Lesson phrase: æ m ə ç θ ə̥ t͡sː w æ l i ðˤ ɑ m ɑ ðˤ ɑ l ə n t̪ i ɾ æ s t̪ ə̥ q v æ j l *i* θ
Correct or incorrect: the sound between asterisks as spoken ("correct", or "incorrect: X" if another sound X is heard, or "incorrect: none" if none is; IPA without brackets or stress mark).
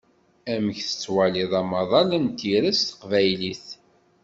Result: correct